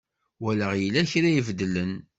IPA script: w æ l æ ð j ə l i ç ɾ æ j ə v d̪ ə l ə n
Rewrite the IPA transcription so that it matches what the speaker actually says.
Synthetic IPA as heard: w æ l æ ʁ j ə l æ ç ɾ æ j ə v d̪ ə l ə n